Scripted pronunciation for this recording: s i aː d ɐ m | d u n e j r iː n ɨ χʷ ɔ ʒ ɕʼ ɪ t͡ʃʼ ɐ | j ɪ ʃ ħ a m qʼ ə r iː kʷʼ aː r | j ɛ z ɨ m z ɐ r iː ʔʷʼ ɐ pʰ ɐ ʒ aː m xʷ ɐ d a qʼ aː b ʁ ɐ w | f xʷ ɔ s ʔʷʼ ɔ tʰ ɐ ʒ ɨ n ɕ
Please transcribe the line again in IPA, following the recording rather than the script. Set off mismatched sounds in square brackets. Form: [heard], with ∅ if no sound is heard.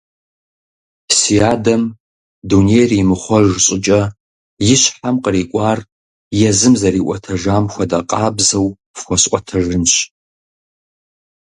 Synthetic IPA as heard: s i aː d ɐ m | d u n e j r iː [m] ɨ χʷ ɔ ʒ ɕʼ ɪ t͡ʃʼ ɐ | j ɪ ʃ ħ a m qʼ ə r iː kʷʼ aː r | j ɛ z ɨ m z ɐ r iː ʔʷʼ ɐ [tʰ] ɐ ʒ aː m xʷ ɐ d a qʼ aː b [z] ɐ w | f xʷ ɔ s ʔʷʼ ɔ tʰ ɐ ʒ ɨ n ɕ